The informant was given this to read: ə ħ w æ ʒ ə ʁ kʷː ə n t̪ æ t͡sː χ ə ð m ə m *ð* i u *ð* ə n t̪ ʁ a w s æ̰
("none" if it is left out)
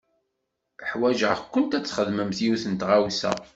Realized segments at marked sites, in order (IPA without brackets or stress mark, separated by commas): θ, θ